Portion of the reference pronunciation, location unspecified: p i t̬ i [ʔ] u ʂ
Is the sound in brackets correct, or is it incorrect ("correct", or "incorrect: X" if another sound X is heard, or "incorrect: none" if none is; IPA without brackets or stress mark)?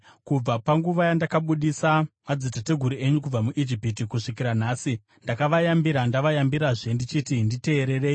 incorrect: k